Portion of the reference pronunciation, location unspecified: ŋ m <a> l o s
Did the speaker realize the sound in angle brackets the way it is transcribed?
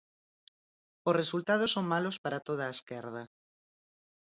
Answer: yes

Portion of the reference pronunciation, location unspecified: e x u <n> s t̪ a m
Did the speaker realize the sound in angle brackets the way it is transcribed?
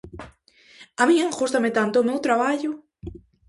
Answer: no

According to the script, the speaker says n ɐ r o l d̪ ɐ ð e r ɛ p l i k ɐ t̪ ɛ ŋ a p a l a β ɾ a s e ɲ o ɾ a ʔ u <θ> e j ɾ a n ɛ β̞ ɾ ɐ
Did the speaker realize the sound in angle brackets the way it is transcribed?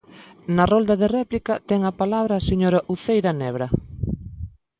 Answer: yes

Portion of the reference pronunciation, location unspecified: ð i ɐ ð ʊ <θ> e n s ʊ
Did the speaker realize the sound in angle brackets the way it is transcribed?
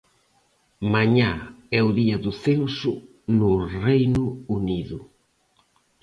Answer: yes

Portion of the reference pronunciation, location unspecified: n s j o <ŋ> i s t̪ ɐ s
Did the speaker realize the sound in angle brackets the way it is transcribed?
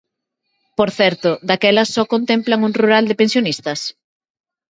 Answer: no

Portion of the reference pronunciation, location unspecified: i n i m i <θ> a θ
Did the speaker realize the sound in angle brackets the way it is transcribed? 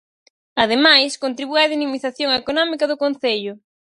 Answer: yes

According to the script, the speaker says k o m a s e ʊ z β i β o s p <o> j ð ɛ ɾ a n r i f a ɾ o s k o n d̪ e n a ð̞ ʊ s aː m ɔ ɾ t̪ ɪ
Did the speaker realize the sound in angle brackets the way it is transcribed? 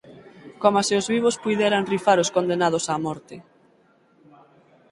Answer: no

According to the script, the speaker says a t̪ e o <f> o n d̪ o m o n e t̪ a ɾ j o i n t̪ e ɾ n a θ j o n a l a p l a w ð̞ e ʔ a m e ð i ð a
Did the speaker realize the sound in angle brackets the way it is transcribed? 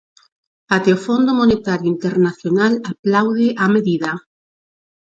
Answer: yes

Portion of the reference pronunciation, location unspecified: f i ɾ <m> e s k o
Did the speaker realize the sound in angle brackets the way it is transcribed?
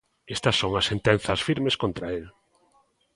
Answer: yes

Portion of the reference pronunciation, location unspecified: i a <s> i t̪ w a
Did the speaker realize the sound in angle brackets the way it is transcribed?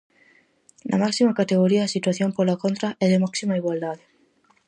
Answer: yes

